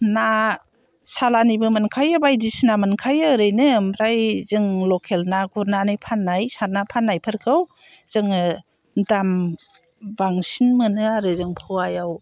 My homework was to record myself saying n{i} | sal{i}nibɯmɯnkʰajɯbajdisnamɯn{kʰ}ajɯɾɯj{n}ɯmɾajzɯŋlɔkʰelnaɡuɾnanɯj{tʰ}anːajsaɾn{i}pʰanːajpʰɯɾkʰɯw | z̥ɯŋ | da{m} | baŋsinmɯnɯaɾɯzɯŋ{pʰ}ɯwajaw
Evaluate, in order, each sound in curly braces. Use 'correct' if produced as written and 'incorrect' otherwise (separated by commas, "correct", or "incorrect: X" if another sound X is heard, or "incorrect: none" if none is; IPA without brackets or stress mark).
incorrect: a, incorrect: a, correct, correct, incorrect: pʰ, incorrect: a, correct, correct